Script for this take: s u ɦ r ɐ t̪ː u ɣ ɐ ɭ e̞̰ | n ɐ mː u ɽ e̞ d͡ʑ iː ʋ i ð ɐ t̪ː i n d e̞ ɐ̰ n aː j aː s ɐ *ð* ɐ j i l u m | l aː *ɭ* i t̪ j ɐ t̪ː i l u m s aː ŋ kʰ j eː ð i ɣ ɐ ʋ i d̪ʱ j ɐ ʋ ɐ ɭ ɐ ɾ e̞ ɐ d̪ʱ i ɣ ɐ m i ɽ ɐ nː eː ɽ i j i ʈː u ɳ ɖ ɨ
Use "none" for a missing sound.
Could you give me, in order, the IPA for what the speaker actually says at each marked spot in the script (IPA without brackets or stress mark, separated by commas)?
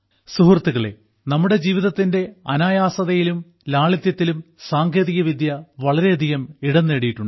ð, ɭ